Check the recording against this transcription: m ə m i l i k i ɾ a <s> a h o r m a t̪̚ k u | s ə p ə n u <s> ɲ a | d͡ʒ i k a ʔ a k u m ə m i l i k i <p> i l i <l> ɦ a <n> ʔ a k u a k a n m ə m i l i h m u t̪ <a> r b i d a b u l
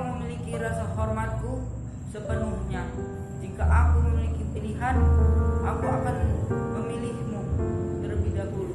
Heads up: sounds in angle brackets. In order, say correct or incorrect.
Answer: correct, incorrect: h, correct, incorrect: none, correct, incorrect: ə

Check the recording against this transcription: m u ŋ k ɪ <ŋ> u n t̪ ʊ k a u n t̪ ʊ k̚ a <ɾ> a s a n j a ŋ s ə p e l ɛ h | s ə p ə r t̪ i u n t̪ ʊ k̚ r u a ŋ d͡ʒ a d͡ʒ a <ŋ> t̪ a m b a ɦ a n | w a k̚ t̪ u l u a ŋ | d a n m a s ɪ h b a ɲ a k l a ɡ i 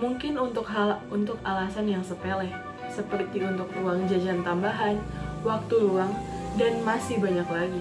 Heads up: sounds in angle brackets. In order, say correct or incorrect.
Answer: incorrect: n, incorrect: l, incorrect: n

